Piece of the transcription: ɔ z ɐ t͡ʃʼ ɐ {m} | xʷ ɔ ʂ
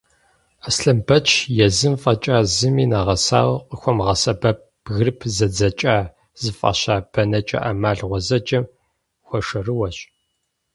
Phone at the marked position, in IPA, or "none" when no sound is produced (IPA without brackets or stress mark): m